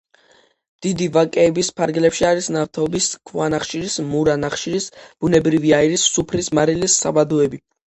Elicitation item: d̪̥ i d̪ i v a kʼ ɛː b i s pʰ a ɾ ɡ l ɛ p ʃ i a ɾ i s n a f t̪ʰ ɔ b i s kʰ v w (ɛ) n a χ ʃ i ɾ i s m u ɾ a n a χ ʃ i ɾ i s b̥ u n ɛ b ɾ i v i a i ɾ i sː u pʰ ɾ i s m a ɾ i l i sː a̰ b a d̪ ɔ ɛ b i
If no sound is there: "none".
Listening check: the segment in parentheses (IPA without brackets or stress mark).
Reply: a